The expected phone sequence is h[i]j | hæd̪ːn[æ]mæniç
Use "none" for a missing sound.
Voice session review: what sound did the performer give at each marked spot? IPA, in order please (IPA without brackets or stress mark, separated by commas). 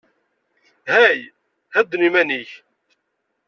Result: æ, i